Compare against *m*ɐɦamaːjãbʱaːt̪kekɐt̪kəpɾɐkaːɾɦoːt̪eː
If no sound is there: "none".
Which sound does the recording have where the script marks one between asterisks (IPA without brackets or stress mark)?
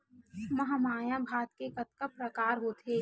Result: m